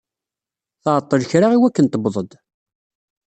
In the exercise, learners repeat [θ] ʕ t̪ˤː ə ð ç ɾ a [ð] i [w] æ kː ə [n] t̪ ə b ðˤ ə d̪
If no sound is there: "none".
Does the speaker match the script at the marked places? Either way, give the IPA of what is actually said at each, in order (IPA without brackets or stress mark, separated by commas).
θ, ʁ, w, n